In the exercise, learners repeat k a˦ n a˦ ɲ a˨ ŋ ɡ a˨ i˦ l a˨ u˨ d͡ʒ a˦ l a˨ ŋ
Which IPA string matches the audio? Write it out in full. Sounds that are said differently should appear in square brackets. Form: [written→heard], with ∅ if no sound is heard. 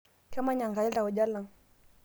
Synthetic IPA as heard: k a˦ [n→m] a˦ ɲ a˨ ŋ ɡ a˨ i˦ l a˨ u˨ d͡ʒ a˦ l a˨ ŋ